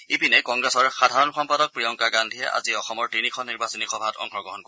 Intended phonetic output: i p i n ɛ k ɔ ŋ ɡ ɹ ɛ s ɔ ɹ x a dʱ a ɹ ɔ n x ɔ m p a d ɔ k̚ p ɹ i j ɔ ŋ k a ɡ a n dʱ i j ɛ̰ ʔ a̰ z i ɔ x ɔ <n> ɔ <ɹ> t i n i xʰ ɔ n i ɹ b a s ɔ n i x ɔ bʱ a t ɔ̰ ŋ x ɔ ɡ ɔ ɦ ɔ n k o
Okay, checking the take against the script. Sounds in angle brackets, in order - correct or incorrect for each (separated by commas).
incorrect, correct